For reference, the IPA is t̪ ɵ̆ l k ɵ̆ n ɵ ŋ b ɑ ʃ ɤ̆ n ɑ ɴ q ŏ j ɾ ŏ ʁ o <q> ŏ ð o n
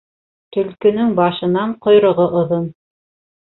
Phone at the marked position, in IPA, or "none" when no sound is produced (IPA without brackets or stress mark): ʔ